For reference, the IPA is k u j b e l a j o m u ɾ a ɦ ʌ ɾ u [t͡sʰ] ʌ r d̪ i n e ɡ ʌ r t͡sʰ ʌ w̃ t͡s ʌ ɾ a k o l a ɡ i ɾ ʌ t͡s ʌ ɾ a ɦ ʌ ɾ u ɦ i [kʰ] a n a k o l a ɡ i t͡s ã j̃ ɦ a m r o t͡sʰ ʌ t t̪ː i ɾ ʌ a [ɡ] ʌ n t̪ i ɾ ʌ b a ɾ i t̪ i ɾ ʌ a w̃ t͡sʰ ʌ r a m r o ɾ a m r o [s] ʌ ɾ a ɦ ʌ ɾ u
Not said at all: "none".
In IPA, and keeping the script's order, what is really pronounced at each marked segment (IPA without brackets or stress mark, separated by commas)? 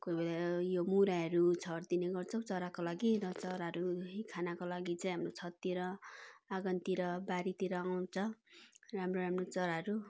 t͡sʰ, kʰ, ɡ, t͡s